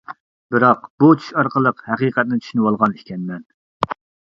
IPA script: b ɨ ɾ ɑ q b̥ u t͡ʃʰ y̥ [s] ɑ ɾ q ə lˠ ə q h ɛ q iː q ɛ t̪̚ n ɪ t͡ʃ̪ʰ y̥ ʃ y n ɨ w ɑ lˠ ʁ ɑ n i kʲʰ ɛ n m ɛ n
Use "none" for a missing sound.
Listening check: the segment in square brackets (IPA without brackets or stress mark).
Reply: ʃ